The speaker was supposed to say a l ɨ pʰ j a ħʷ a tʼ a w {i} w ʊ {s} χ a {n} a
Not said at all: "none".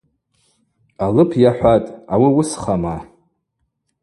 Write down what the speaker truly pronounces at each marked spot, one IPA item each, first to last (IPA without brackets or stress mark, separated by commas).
i, s, m